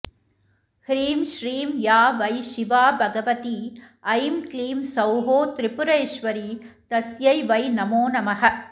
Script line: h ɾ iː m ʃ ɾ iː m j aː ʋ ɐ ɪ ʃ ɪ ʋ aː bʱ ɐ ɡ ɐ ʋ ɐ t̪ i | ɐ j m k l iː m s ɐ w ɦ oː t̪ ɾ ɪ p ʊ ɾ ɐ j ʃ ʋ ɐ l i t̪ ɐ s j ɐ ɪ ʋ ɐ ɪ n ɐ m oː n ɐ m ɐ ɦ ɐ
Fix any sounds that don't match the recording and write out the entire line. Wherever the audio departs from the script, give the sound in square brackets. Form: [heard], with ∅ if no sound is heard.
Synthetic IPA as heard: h ɾ iː m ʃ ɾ iː m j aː ʋ ɐ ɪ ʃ ɪ ʋ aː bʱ ɐ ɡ ɐ ʋ ɐ t̪ i | ɐ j m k l iː m s ɐ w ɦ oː t̪ ɾ ɪ p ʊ ɾ ɐ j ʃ ʋ ɐ [ɾ] i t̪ ɐ s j ɐ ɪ ʋ ɐ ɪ n ɐ m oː n ɐ m ɐ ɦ ɐ